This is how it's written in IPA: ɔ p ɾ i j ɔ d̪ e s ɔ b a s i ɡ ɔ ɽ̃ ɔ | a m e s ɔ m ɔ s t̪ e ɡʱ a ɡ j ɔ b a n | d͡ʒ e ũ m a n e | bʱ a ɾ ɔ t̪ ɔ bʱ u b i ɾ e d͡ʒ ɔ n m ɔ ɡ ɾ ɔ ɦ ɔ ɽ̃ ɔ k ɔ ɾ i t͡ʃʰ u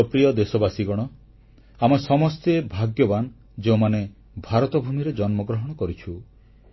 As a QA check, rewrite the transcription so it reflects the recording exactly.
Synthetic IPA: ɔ p ɾ i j ɔ d̪ e s ɔ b a s i ɡ ɔ ɽ̃ ɔ | a m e s ɔ m ɔ s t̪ e bʱ a ɡ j ɔ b a n | d͡ʒ e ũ m a n e | bʱ a ɾ ɔ t̪ ɔ bʱ u m i ɾ e d͡ʒ ɔ n m ɔ ɡ ɾ ɔ ɦ ɔ ɽ̃ ɔ k ɔ ɾ i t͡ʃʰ u